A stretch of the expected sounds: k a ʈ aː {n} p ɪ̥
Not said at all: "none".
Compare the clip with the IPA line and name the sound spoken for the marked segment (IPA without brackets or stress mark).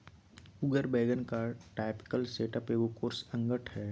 none